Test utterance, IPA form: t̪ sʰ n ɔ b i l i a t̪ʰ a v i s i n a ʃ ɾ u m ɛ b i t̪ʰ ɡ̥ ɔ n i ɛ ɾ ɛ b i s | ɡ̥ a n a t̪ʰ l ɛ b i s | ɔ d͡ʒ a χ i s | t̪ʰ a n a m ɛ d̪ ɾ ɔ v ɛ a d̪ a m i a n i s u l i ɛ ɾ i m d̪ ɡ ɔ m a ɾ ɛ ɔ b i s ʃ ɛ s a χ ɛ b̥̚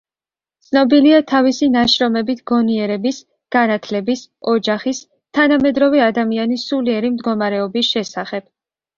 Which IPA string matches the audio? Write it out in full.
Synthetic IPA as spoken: t̪ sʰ n ɔ b i l i a t̪ʰ a v i s i n a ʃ ɾ ɔ m ɛ b i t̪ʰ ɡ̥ ɔ n i ɛ ɾ ɛ b i s | ɡ̥ a n a t̪ʰ l ɛ b i s | ɔ d͡ʒ a χ i s | t̪ʰ a n a m ɛ d̪ ɾ ɔ v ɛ a d̪ a m i a n i s u l i ɛ ɾ i m d̪ ɡ ɔ m a ɾ ɛ ɔ b i s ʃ ɛ s a χ ɛ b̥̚